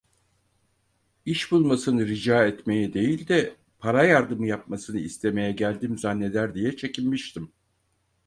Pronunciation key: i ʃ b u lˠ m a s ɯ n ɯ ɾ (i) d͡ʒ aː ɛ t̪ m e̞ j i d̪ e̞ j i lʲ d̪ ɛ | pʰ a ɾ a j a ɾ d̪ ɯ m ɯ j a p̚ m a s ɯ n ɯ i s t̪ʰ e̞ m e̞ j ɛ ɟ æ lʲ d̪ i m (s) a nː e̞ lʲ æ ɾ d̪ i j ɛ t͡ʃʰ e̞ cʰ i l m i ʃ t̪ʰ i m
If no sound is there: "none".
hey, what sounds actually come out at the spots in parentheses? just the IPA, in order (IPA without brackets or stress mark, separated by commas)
i, z